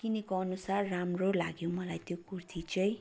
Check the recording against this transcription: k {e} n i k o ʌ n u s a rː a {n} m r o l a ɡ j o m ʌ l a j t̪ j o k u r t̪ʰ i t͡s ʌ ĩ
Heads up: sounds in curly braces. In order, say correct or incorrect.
incorrect, incorrect

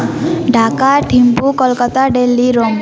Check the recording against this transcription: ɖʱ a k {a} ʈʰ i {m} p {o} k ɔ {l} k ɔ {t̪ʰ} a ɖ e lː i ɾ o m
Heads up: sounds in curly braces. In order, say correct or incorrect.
correct, correct, incorrect, correct, incorrect

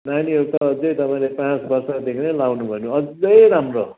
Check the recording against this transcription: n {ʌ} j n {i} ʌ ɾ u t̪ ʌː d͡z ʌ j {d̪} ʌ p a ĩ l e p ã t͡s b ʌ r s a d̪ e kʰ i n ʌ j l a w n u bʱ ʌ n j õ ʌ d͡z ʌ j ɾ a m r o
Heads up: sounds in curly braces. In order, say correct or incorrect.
incorrect, correct, incorrect

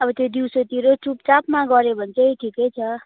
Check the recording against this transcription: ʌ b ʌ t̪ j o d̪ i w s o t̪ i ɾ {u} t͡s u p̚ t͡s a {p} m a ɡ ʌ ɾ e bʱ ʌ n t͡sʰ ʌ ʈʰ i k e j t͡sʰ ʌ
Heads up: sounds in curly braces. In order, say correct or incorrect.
incorrect, correct

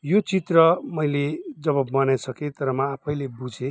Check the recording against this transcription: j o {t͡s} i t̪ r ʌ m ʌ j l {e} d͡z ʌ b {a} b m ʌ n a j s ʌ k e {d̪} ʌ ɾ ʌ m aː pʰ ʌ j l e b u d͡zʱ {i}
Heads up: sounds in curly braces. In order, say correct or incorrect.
correct, correct, incorrect, incorrect, incorrect

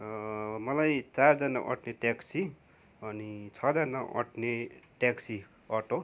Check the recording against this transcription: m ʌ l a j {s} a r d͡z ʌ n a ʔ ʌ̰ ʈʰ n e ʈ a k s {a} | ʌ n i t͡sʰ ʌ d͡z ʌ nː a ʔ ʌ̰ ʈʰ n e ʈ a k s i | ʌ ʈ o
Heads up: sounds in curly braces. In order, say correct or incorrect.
incorrect, incorrect

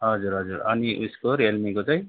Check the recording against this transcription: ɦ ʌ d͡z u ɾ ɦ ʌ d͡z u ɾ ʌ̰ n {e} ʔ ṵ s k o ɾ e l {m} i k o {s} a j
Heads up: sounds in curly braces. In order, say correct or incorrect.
incorrect, correct, incorrect

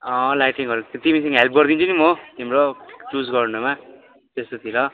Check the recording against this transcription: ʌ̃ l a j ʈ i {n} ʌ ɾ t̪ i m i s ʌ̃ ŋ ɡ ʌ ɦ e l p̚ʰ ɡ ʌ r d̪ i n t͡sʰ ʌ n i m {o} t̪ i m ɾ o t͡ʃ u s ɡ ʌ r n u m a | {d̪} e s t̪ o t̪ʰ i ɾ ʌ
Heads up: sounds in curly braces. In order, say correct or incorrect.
incorrect, correct, incorrect

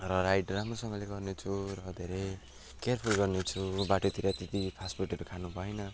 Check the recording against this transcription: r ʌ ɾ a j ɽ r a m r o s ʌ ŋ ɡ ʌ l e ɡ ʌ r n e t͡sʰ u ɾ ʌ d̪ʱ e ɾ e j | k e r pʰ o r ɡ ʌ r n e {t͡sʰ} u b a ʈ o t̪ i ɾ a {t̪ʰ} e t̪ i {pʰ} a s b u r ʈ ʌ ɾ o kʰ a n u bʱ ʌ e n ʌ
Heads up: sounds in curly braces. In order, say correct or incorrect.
correct, incorrect, correct

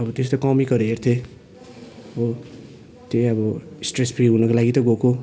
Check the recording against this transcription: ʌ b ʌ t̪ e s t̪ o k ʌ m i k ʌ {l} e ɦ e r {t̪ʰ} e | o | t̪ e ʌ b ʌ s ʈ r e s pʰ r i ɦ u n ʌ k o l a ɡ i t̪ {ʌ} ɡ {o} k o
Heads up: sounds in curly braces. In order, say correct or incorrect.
incorrect, correct, correct, correct

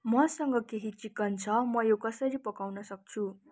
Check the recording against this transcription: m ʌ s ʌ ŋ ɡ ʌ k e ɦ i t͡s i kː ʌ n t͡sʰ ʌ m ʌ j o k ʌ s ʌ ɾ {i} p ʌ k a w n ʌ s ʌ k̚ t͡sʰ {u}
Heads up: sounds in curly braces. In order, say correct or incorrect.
correct, correct

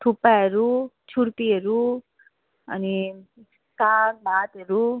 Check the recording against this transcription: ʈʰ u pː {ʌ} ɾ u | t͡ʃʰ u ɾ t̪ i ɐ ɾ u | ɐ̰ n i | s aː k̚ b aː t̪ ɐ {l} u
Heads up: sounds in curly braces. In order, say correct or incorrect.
incorrect, incorrect

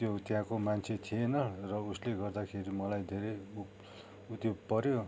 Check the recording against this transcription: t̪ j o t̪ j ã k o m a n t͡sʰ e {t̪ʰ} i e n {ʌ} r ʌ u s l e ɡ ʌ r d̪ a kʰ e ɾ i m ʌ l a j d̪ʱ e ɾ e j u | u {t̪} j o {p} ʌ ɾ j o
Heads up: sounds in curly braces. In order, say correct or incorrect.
correct, correct, correct, correct

